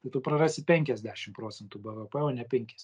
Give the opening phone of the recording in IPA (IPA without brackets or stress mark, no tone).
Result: t̪